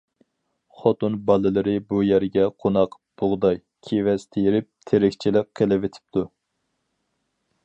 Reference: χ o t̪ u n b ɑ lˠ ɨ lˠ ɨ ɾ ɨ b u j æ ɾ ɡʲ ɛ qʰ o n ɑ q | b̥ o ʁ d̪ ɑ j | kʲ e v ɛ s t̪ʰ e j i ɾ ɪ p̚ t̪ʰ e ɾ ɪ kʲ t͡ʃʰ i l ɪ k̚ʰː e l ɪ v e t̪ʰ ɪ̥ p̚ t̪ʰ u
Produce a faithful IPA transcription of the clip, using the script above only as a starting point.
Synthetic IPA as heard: χ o t̪ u n b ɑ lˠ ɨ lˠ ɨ ɾ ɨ b u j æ ɾ ɡʲ ɛ qʰ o n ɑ q | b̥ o ʁ d̪ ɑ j | kʲʰ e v ɛ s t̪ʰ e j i ɾ ɪ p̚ t̪ʰ e ɾ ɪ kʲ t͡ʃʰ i l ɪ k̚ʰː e l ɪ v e t̪ʰ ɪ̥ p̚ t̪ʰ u